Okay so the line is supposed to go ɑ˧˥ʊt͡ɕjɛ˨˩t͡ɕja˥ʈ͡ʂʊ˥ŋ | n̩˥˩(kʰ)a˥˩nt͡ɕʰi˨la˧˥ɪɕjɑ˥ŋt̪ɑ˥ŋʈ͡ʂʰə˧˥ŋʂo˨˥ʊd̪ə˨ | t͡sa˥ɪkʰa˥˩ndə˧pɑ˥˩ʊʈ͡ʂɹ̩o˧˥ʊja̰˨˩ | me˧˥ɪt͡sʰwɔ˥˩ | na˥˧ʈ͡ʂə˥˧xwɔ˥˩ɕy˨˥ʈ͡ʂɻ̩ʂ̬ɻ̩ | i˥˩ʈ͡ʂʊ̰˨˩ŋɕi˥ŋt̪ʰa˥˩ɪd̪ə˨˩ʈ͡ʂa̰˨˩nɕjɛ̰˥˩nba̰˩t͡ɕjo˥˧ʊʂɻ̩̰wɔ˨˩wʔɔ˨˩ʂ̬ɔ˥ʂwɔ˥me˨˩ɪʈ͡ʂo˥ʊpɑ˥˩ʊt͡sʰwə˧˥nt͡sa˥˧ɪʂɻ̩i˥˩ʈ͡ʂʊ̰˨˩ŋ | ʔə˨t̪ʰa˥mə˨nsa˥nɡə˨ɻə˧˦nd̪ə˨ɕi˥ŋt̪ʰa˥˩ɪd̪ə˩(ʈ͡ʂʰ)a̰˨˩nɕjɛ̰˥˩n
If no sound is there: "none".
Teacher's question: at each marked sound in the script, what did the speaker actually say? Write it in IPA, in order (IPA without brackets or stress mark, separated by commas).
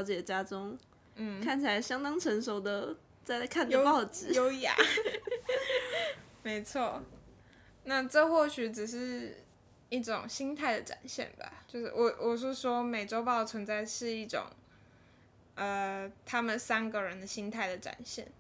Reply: kʰ, ʈ͡ʂ